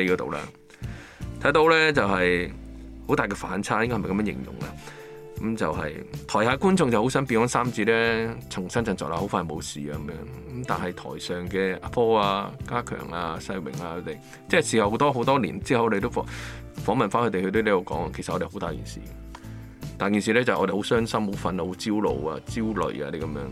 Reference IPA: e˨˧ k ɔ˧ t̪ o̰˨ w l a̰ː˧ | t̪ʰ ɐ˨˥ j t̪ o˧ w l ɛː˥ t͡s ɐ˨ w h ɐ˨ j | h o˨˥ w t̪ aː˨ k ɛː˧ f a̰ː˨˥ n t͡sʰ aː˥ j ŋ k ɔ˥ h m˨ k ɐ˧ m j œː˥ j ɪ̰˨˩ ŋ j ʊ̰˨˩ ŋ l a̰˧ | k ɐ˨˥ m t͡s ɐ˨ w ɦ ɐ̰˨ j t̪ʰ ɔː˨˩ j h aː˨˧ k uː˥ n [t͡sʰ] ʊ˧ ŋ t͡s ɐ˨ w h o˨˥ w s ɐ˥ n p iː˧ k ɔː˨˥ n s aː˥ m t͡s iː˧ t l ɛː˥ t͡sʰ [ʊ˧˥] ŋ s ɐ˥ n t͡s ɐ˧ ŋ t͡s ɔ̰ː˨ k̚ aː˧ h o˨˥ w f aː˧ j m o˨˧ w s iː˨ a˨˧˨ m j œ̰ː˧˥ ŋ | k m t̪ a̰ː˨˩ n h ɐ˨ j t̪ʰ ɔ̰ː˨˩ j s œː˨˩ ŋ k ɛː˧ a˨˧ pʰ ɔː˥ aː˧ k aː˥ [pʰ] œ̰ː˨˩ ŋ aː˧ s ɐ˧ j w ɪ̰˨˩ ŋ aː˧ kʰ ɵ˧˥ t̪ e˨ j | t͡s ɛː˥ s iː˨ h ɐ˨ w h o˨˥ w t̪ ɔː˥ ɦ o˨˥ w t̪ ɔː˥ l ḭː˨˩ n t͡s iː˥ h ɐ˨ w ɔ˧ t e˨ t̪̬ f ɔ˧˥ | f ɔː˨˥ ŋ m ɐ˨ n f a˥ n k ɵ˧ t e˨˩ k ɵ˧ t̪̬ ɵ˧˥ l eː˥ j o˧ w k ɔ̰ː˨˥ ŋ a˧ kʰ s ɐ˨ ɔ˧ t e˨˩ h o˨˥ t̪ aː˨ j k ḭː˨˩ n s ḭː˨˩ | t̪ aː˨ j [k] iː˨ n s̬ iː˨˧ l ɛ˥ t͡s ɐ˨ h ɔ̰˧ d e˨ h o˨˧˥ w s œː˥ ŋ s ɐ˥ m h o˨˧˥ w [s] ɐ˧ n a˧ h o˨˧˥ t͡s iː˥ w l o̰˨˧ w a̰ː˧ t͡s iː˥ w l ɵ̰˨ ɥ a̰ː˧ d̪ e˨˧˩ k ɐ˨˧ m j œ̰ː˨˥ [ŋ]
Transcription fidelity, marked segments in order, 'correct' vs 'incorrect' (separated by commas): incorrect, incorrect, incorrect, correct, incorrect, correct